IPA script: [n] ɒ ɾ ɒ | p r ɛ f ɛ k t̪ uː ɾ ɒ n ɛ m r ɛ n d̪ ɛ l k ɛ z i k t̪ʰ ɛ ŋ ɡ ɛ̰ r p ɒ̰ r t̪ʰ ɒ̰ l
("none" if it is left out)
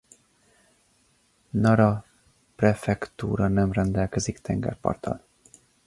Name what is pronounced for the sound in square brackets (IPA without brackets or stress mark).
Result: n